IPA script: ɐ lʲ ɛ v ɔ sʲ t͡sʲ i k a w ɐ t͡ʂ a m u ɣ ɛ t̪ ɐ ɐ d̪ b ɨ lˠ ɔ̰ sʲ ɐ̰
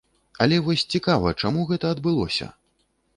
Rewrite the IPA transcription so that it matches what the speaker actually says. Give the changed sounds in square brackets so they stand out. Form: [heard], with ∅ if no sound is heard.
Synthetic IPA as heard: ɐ lʲ ɛ v ɔ sʲ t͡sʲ i k a [v] ɐ t͡ʂ a m u ɣ ɛ t̪ ɐ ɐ d̪ b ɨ lˠ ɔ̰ sʲ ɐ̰